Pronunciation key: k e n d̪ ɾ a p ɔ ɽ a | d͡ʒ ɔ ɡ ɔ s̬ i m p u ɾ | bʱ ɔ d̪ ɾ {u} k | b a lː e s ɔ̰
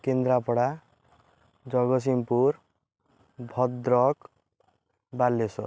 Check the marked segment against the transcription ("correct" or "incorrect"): incorrect